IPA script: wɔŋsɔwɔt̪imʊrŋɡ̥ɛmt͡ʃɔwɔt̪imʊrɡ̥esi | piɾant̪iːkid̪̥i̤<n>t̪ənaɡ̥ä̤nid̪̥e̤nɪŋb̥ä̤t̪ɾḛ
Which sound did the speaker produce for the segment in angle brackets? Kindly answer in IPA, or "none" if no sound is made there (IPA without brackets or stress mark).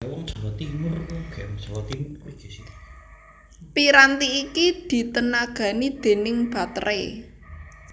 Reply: none